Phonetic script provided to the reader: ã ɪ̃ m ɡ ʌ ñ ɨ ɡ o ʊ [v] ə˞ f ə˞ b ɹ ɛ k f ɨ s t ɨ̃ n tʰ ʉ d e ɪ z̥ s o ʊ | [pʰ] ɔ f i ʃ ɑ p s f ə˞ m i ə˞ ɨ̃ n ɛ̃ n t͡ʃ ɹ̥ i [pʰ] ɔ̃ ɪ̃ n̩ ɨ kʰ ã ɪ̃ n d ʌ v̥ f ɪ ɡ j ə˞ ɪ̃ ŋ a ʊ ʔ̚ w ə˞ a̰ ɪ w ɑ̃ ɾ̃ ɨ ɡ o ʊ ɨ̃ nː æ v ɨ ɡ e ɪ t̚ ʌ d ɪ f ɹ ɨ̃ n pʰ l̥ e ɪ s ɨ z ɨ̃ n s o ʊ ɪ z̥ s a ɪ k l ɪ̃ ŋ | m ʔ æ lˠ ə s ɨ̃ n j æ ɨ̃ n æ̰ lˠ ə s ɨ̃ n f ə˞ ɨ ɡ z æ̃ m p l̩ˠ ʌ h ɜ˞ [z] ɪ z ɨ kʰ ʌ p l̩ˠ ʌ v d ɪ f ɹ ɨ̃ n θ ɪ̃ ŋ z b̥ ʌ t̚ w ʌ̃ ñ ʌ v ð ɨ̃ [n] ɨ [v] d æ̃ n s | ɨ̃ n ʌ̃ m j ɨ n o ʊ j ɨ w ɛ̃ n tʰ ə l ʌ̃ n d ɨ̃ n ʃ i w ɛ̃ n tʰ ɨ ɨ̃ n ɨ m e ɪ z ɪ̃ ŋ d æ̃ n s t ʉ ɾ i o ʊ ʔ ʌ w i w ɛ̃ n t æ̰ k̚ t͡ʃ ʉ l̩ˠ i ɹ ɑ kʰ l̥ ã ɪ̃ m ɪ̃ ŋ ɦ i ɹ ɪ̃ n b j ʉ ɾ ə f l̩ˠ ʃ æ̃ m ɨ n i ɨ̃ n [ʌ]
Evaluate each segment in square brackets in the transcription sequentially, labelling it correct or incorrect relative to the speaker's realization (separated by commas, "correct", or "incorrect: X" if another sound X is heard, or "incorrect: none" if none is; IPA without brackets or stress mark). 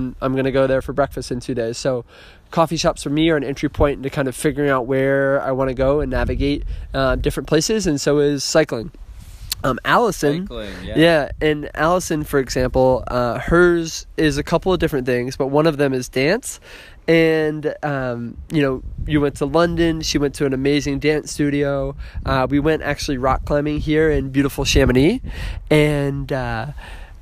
incorrect: ð, incorrect: kʰ, correct, correct, incorrect: m, incorrect: z, correct